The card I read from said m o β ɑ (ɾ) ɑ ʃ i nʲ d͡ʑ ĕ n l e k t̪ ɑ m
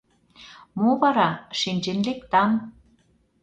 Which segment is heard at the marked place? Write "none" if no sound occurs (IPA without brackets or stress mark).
ɾ